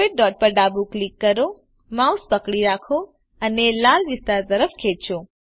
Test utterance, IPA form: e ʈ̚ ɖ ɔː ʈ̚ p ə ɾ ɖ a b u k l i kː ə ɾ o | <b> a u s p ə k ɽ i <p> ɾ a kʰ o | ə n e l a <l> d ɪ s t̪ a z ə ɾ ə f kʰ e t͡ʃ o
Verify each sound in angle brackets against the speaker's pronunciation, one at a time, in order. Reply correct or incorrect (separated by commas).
incorrect, incorrect, correct